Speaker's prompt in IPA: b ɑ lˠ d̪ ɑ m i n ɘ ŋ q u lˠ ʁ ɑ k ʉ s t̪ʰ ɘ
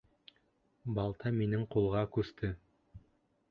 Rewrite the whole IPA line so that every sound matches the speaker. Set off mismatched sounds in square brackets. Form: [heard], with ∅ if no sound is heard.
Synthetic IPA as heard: b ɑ lˠ [t̪] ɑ m i n ɘ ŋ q u lˠ ʁ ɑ k ʉ s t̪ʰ ɘ